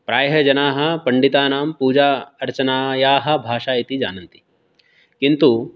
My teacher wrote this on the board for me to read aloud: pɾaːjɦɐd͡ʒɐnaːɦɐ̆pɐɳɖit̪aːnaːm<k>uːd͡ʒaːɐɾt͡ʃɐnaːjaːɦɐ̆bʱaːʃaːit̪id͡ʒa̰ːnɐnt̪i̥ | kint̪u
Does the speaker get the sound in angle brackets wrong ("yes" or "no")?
yes